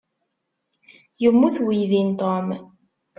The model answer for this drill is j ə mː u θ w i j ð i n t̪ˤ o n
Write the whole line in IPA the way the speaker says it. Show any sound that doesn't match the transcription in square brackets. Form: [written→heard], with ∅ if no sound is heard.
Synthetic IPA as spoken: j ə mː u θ w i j ð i n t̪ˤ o [n→m]